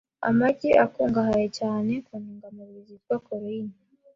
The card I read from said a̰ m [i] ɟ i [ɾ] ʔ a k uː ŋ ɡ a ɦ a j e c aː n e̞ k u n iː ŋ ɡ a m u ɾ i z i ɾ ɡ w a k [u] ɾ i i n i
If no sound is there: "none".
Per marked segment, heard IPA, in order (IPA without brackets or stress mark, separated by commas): a, none, o